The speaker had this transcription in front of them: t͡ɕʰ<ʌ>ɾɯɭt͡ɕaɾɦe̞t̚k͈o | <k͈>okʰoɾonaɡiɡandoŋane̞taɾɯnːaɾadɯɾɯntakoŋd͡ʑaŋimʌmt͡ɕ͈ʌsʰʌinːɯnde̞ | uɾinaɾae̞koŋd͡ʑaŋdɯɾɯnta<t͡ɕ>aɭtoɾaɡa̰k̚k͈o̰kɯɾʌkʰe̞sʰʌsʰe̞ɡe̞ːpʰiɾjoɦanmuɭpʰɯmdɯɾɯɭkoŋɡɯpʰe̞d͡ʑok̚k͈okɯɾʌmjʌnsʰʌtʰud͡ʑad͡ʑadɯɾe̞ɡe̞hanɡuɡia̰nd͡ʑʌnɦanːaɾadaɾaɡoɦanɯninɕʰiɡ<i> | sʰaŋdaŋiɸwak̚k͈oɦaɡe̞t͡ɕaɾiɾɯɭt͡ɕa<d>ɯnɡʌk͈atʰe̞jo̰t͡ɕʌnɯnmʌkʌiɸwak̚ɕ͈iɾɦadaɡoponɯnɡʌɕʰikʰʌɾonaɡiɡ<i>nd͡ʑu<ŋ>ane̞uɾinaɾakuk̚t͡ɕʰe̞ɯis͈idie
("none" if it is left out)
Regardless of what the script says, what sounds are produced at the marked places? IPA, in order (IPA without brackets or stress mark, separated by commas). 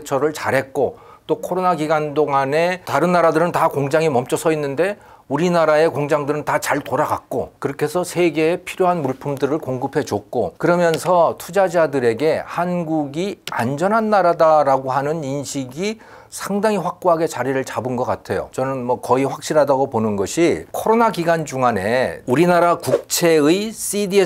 ʌ, t͈, t͡ɕ, i, b, a, ŋ